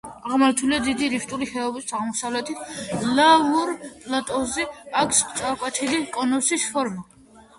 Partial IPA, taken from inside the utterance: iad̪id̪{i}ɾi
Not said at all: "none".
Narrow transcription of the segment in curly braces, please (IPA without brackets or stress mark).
i